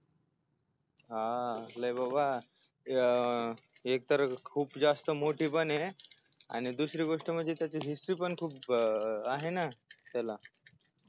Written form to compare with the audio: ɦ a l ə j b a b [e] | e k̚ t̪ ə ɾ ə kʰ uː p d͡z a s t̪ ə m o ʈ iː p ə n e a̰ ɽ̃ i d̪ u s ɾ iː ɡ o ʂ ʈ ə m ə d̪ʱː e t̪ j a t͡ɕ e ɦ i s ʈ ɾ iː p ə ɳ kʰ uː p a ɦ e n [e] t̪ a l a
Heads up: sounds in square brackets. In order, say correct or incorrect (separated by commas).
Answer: incorrect, incorrect